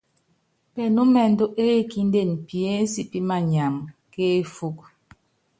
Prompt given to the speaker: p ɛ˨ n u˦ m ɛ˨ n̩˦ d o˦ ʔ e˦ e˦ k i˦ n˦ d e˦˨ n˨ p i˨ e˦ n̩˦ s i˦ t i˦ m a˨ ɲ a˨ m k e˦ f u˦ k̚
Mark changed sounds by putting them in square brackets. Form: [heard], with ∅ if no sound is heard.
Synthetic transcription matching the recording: p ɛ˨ n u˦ m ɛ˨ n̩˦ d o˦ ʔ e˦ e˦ k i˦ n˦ d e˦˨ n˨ p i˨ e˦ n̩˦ s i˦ [p] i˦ m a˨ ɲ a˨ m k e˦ f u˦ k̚

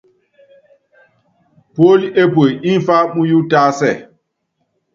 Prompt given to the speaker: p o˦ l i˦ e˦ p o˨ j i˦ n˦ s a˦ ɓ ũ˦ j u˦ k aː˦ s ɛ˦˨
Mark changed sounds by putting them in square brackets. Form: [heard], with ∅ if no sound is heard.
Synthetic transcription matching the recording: p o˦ l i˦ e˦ p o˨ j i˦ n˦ [f] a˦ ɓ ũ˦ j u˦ [t] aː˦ s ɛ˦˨

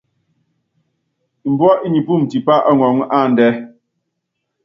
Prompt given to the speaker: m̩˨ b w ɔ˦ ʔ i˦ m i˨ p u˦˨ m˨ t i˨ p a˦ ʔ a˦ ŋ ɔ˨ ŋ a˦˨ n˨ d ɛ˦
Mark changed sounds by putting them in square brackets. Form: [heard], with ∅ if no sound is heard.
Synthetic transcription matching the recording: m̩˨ b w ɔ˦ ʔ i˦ [ɲ] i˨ p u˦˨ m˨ t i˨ p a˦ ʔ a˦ ŋ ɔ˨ ŋ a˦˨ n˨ d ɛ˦

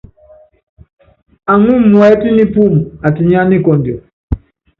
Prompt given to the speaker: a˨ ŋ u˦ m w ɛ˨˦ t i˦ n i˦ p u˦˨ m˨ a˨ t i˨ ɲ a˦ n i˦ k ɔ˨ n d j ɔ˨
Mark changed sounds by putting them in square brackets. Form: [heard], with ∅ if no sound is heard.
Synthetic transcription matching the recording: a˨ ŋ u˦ m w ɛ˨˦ t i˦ n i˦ p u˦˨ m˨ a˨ t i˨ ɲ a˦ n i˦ k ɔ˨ n d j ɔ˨

